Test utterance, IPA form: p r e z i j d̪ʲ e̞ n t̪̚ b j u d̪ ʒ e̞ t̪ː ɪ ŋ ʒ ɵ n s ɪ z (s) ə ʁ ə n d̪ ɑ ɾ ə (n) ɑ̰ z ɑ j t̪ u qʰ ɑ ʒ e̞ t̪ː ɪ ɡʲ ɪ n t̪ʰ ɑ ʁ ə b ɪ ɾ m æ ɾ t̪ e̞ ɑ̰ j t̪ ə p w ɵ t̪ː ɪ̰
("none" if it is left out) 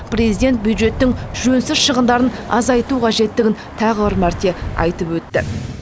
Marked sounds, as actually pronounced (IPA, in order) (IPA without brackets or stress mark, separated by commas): ʃ, n